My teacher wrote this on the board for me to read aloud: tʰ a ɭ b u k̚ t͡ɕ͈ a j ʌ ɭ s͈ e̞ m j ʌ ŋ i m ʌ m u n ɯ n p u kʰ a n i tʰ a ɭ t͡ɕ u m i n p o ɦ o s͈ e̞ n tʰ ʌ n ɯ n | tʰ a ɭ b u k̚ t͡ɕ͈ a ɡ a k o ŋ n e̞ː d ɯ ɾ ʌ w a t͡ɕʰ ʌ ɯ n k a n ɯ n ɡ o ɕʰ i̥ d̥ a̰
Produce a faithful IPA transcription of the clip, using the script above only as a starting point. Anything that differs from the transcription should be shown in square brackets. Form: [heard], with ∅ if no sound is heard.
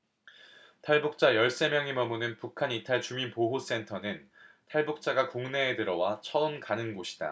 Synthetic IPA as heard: tʰ a ɭ b u k̚ t͡ɕ͈ a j ʌ ɭ s͈ e̞ m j ʌ ŋ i m ʌ m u n ɯ n p u kʰ a n i tʰ a ɭ t͡ɕ u m i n p o ɦ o s͈ e̞ n tʰ ʌ n ɯ n | tʰ a ɭ b u k̚ t͡ɕ͈ a ɡ a k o ŋ n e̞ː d ɯ ɾ ʌ w a t͡ɕʰ ʌ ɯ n k a n ɯ n ɡ o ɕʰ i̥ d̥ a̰